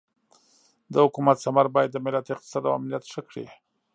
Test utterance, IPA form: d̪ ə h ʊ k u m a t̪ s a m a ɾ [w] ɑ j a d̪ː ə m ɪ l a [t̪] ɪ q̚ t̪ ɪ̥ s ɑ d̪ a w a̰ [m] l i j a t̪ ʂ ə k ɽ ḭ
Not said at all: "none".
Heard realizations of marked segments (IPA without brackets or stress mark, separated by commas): b, t̪, m